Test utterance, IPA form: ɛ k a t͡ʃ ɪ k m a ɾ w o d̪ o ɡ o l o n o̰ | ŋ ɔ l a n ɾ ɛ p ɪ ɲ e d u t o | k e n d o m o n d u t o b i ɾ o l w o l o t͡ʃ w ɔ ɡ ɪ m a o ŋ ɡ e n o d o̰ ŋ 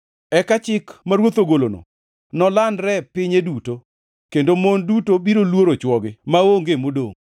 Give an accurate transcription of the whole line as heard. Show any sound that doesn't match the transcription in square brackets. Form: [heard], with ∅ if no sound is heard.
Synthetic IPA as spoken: ɛ k a t͡ʃ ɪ k m a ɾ w o [t̪] o ɡ o l o n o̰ | [n] ɔ l a n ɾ ɛ p ɪ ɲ e d u t o | k e n d o m o n d u t o b i ɾ o l w o [ɾ] o t͡ʃ w ɔ ɡ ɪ m a o ŋ ɡ e [m] o d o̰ ŋ